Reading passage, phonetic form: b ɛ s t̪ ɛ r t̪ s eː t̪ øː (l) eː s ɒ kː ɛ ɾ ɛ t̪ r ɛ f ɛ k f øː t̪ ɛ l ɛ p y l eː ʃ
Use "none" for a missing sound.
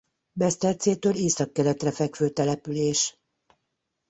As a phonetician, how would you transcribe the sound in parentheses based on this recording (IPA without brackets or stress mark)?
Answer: l